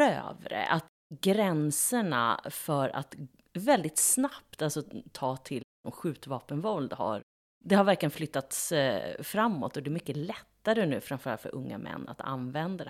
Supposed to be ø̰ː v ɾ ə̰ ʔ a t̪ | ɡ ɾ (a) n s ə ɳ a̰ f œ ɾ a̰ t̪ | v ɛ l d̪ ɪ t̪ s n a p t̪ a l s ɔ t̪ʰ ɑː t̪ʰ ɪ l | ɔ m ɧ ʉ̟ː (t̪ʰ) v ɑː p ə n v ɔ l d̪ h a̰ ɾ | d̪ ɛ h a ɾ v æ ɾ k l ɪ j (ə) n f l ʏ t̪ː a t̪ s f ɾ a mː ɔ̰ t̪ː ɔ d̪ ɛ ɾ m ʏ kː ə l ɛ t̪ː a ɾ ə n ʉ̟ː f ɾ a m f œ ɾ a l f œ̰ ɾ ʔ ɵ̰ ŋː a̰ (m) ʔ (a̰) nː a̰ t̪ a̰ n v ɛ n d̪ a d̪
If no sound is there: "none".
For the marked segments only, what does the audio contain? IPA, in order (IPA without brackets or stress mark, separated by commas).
ɛ, t̪, ə, m, ɛ̰